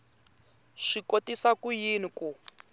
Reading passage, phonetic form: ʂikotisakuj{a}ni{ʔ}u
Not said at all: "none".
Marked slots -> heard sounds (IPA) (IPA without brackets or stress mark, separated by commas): i, k